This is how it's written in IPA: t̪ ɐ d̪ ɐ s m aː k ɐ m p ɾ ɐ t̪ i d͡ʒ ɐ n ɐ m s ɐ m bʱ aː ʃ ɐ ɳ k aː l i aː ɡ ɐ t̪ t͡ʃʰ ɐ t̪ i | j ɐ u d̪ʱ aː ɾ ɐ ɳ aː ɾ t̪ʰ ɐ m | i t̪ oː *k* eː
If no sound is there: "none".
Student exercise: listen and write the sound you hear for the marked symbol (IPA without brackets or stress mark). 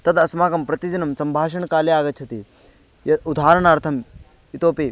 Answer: p